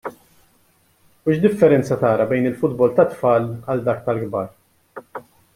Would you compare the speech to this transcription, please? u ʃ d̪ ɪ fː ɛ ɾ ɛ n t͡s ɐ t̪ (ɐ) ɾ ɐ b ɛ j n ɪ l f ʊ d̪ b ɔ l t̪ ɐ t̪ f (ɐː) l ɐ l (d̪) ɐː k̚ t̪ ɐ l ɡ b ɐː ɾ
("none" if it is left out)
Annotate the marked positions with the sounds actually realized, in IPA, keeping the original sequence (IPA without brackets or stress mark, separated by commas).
ɐː, ɐː, d̪